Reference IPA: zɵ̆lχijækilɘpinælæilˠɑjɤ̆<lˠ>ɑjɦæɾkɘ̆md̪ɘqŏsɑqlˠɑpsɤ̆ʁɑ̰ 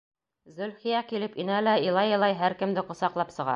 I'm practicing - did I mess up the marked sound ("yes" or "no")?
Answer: no